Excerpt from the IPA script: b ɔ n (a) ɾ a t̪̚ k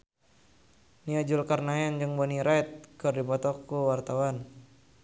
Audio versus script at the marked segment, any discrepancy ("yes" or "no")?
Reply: yes